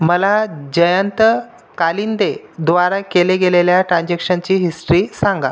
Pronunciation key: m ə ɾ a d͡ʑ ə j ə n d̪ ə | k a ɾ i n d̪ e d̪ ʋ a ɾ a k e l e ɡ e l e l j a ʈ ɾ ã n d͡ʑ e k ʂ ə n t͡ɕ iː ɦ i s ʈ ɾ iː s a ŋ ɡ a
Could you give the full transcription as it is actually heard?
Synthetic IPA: m ə l a d͡ʑ ə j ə n t̪ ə | k a l i n d̪ e d̪ ʋ a ɾ a k e l e ɡ e l e l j a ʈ ɾ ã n d͡ʑ e k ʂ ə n t͡ɕ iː ɦ i s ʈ ɾ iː s a ŋ ɡ a